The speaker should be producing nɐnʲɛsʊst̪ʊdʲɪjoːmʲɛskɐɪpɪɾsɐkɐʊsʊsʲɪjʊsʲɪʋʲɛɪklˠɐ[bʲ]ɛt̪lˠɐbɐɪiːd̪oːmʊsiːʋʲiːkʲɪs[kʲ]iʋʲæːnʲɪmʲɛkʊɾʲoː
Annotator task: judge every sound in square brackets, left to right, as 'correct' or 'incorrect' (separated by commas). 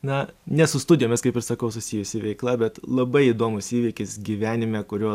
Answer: correct, incorrect